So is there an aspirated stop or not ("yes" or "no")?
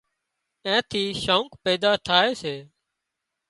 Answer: yes